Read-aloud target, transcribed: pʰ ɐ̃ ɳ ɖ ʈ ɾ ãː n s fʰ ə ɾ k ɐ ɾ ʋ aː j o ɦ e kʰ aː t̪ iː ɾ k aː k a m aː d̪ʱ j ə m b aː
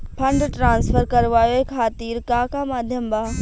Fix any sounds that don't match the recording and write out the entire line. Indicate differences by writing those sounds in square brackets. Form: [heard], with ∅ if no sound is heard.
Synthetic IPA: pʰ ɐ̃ ɳ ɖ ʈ ɾ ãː n s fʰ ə ɾ k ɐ ɾ ʋ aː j o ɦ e kʰ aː t̪ iː ɾ k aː k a m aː d̪ʱ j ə m b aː